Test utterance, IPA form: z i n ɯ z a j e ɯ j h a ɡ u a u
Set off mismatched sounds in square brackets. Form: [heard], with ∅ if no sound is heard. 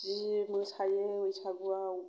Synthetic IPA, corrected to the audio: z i [m] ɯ [s] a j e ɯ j [s] a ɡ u a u